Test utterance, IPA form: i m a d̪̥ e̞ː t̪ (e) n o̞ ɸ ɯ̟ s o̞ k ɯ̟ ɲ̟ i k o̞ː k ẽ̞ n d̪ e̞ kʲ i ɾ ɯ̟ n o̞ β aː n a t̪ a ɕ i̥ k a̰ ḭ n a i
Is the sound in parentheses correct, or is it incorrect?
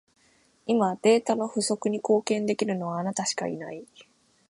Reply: incorrect